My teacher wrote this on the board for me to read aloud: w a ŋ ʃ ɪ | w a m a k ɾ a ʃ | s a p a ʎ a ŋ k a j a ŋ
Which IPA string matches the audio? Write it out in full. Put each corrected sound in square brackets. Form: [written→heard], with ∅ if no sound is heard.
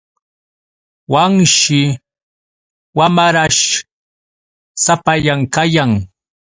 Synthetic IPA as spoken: w a ŋ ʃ ɪ | w a m a [k→∅] ɾ a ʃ | s a p a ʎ a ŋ k a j a ŋ